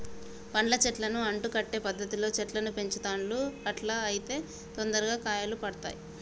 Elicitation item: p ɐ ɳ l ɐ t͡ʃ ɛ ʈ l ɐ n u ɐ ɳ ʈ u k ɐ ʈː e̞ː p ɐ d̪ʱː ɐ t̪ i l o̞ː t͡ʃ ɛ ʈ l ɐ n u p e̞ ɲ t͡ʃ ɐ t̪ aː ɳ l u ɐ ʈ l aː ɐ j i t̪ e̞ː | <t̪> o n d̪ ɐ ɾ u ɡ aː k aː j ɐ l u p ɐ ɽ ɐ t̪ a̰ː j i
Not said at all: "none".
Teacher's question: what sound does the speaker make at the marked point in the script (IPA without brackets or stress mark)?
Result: t̪